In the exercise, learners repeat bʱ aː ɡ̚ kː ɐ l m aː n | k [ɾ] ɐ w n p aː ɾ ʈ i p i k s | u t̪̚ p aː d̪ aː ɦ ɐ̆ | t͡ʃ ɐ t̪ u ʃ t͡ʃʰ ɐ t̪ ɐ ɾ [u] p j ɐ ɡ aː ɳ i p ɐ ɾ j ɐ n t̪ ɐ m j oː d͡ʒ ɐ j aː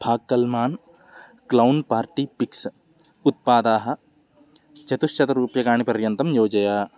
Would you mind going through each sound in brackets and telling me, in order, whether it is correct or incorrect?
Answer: incorrect, incorrect

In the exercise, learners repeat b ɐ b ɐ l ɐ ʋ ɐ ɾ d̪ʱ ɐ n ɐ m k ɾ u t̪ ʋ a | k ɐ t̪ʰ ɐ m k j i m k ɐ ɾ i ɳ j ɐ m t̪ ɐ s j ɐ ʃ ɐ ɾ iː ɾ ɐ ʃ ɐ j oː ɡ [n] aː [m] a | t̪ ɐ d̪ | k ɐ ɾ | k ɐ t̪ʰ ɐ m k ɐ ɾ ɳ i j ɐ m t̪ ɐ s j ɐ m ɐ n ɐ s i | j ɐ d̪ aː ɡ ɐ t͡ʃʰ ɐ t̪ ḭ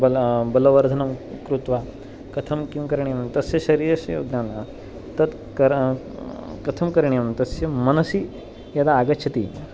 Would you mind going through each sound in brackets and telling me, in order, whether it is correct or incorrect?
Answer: correct, incorrect

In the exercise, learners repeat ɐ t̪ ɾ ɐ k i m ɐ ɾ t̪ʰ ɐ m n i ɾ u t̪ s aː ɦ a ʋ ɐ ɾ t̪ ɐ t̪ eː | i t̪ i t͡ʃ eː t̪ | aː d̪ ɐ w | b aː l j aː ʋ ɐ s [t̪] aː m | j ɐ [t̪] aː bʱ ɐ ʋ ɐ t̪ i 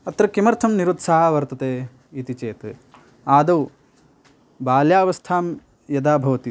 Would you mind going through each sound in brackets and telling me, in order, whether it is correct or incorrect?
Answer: incorrect, incorrect

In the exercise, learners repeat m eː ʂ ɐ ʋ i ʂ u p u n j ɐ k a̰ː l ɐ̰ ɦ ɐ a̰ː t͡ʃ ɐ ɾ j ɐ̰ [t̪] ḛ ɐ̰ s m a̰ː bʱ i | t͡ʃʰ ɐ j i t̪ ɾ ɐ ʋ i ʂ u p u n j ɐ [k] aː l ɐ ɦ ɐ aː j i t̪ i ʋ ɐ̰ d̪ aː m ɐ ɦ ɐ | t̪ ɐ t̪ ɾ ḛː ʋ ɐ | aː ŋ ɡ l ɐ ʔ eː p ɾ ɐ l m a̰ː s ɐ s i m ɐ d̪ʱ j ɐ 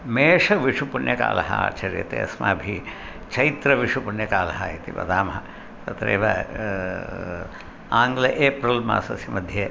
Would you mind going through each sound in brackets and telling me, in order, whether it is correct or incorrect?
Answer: correct, correct

